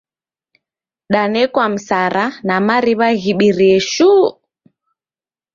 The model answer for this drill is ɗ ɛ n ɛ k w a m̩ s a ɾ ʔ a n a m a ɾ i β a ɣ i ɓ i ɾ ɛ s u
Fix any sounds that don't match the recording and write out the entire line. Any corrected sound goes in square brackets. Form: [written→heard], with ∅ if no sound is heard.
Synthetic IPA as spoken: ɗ [ɛ→a] n ɛ k w a m̩ s a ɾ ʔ a n a m a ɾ i β a ɣ i ɓ i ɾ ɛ [s→ʃ] u